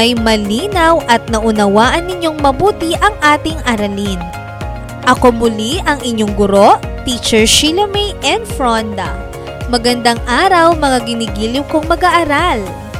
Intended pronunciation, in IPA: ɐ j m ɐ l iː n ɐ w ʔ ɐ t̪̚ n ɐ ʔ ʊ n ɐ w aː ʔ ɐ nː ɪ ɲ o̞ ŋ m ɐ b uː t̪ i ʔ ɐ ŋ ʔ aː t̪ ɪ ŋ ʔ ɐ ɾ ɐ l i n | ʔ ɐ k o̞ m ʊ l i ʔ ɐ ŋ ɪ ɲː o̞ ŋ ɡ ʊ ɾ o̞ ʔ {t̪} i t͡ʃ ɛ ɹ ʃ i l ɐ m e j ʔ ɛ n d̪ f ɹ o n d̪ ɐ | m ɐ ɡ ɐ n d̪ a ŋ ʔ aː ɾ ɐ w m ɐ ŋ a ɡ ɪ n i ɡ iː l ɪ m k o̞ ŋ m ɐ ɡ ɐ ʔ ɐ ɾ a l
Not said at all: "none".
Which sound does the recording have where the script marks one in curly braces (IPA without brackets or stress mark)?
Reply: t̪